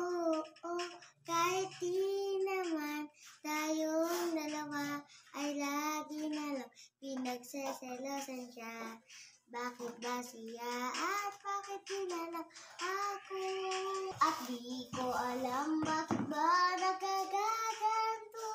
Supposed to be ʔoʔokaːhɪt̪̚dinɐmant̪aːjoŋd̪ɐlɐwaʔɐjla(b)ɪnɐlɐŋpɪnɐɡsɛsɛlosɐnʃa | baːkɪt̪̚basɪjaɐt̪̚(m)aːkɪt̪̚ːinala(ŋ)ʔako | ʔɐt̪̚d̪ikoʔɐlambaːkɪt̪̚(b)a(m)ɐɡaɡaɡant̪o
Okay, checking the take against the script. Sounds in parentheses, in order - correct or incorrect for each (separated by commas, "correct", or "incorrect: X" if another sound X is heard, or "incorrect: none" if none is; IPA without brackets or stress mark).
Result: incorrect: ɡ, incorrect: b, correct, correct, incorrect: n